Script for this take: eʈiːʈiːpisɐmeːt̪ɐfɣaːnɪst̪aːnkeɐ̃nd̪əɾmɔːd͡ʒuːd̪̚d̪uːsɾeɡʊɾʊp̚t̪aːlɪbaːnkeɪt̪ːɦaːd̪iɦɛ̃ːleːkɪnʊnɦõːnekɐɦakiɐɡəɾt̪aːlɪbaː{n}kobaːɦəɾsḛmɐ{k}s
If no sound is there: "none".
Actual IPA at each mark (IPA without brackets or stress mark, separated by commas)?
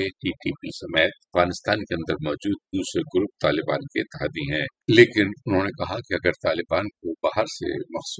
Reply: n, x